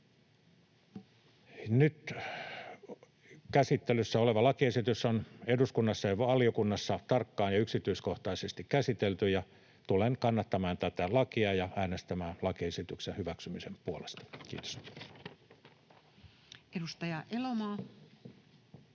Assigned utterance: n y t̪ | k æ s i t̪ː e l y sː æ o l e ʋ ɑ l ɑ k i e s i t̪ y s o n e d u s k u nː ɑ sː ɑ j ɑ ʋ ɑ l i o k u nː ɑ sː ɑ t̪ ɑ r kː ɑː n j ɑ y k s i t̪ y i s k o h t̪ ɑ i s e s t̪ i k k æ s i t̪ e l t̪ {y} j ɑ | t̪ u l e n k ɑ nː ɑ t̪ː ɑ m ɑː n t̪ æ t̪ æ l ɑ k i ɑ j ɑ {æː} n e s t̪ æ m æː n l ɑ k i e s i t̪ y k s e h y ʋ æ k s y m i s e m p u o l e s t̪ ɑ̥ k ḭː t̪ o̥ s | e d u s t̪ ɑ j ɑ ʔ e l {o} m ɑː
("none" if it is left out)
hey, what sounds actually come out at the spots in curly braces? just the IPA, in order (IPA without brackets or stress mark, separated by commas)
y, æː, o